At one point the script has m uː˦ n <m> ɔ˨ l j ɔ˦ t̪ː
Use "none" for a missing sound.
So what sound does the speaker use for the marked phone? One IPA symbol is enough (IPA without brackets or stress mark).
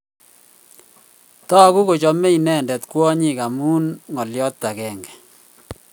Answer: ŋ